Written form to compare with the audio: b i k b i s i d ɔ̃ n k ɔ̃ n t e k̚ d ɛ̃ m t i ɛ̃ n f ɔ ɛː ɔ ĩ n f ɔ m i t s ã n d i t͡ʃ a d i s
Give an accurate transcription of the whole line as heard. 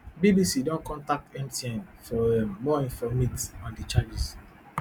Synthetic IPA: b i b i s i d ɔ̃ n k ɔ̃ n t a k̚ t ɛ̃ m t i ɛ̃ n f ɔ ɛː ɔ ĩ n f ɔ m i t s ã n d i t͡ʃ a d͡ʒ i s